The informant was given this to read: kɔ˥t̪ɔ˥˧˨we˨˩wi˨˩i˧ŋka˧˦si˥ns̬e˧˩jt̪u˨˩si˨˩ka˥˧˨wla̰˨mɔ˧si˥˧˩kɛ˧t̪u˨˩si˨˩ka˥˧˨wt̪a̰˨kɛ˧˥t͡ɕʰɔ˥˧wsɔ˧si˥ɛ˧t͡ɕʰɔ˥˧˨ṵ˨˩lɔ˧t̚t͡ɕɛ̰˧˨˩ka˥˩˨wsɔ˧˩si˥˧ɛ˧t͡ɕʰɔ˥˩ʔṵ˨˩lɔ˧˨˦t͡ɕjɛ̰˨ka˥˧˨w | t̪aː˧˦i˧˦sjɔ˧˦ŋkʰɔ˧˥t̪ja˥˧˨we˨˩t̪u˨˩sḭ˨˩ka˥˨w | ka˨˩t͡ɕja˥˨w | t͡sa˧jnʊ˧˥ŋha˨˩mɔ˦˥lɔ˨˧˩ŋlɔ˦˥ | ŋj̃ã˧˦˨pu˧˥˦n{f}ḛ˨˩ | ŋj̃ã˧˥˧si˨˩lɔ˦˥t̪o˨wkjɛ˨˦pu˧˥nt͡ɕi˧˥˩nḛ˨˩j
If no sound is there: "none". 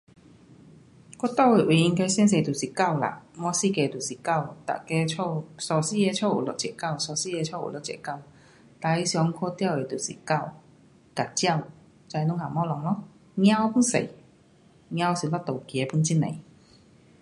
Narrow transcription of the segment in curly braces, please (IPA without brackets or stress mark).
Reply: s